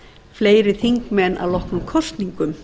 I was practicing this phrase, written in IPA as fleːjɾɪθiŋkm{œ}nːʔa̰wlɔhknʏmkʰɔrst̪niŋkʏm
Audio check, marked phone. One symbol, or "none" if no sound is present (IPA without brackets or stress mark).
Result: ɛ